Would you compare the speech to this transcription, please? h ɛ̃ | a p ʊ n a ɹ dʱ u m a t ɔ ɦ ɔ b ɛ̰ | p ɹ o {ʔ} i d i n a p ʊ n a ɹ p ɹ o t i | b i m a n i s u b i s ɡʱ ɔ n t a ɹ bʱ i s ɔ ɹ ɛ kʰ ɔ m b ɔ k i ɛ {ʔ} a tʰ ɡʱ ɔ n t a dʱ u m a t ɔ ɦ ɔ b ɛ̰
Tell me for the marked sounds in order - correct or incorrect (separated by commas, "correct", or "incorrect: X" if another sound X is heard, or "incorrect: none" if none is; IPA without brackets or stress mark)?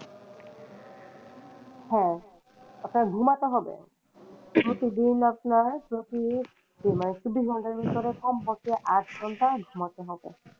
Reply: incorrect: t, correct